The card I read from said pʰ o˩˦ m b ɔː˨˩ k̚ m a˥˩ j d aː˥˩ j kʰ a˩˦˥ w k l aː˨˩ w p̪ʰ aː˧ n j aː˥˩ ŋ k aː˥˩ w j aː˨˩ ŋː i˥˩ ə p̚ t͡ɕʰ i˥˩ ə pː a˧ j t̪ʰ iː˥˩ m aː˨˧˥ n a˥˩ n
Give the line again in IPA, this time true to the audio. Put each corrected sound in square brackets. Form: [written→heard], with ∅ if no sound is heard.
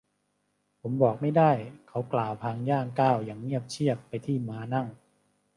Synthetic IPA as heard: pʰ o˩˦ m b ɔː˨˩ k̚ m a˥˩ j d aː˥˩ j kʰ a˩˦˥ w k l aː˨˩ w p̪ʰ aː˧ [n→ŋ] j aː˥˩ ŋ k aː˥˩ w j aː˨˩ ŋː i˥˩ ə p̚ t͡ɕʰ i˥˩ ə pː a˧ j t̪ʰ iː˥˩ m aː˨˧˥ n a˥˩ [n→ŋ]